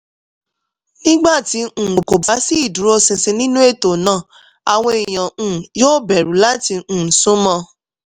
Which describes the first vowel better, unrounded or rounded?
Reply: unrounded